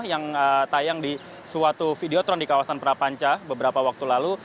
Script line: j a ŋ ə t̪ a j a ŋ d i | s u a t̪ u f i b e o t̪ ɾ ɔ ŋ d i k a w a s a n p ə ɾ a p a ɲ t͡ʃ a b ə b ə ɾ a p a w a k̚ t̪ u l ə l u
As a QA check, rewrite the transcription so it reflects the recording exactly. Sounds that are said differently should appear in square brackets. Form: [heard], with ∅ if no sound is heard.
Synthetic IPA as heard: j a ŋ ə t̪ a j a ŋ d i | s u a t̪ u f i [d] e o t̪ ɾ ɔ [n] d i k a w a s a n p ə ɾ a p a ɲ t͡ʃ a b ə b ə ɾ a p a w a k̚ t̪ u l [a] l u